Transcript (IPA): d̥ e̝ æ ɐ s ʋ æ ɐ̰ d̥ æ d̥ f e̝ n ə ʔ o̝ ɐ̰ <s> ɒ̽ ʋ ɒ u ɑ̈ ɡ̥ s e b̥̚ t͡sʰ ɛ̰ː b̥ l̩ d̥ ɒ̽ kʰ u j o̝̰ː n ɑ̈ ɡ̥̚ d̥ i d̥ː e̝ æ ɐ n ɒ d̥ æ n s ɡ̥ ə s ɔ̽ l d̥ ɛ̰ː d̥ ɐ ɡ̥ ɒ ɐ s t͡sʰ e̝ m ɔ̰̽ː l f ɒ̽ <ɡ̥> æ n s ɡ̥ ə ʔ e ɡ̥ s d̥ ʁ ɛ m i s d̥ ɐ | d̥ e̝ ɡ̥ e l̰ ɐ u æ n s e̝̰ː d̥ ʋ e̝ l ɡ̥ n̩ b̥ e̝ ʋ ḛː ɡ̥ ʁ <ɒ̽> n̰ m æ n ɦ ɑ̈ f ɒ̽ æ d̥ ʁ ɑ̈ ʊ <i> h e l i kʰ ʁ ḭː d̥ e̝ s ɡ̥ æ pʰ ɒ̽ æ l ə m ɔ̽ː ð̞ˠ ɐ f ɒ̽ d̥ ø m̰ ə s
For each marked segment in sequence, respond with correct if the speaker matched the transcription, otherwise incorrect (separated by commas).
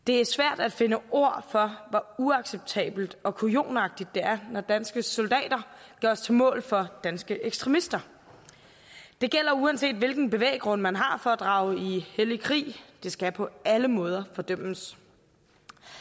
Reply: incorrect, incorrect, incorrect, correct